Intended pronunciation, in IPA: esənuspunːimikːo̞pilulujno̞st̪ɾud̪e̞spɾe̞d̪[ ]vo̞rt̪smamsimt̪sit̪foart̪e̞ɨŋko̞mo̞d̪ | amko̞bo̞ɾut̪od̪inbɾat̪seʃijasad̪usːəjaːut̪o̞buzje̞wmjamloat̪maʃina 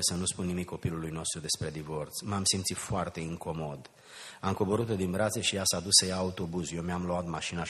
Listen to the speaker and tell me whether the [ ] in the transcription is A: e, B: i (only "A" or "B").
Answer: B